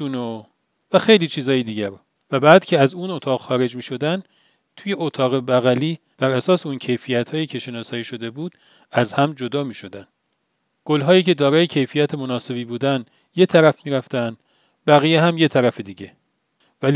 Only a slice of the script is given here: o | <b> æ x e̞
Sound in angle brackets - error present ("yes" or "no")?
yes